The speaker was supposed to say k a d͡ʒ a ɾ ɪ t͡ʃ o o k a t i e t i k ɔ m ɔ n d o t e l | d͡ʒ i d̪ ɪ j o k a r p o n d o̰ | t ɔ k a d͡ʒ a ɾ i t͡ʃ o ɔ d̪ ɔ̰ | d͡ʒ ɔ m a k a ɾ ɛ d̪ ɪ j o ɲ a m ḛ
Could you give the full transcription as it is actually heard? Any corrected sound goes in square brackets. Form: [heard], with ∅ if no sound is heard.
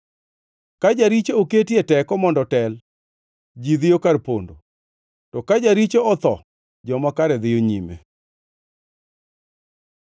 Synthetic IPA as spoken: k a d͡ʒ a ɾ [i] t͡ʃ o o k [e] t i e t [ɛ] k ɔ m ɔ n d [ɔ] t [ɛ] l | d͡ʒ i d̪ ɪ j o k a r p o n d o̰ | t ɔ k a d͡ʒ a ɾ i t͡ʃ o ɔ [t̪] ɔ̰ | d͡ʒ ɔ m a k a ɾ ɛ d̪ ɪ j o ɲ [i] m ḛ